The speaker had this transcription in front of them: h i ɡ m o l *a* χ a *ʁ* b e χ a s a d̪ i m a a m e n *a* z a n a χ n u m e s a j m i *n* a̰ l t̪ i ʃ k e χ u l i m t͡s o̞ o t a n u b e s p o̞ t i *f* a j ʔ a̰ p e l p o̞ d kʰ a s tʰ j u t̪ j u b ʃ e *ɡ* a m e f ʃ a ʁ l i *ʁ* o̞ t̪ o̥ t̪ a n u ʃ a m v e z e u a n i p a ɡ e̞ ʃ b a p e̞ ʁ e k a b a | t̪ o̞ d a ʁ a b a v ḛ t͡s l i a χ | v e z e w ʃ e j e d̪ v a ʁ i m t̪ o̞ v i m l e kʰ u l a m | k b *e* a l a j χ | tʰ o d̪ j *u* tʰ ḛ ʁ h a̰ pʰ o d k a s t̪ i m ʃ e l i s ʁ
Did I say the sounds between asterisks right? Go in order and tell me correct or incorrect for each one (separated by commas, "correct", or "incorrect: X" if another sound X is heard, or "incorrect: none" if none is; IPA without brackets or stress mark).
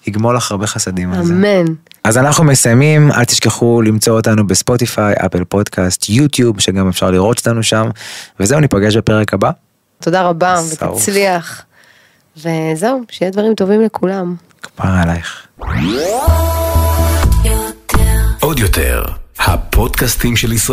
correct, correct, correct, incorrect: m, correct, correct, correct, incorrect: a, incorrect: o